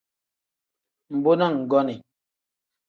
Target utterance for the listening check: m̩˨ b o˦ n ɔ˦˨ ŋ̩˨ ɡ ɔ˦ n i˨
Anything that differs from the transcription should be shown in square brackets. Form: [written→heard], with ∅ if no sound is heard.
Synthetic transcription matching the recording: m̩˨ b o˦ n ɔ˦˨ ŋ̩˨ ɡ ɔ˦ n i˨